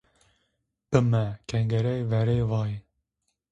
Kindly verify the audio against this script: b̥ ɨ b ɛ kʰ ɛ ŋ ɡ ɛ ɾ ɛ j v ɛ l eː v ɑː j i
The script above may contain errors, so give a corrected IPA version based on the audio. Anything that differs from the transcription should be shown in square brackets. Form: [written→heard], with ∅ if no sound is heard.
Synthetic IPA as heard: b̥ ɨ [b→m] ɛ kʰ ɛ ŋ ɡ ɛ ɾ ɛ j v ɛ [l→ɾ] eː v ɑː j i